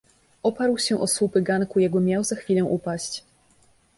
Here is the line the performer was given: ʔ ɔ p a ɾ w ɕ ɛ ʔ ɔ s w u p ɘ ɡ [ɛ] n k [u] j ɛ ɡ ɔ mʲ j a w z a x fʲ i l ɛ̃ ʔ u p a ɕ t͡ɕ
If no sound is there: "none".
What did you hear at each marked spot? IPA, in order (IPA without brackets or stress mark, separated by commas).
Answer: a, u